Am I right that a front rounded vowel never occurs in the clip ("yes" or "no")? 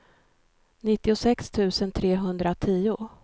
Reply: yes